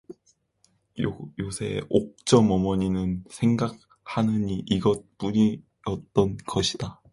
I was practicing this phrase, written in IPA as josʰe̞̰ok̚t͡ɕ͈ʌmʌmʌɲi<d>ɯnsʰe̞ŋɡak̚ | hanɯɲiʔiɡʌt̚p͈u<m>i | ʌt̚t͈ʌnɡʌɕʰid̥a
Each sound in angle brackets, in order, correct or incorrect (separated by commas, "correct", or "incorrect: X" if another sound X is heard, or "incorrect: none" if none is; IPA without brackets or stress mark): incorrect: n, incorrect: ɲ